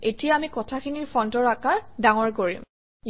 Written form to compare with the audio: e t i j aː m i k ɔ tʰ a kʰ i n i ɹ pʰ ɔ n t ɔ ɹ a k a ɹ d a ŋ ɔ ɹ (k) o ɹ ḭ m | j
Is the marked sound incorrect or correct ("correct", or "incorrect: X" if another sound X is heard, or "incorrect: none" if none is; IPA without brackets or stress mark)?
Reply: correct